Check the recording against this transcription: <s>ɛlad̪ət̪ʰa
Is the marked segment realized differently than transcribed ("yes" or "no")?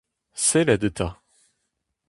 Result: no